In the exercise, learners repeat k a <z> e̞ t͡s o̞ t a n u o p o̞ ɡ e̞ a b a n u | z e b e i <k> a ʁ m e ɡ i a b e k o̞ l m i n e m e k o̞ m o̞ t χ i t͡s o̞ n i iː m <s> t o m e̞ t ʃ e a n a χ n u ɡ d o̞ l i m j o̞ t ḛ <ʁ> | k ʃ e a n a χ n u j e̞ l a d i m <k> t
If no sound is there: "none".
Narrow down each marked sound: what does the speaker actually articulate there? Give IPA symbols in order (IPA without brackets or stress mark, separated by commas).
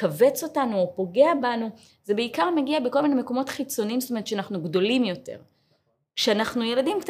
v, k, s, ʁ, k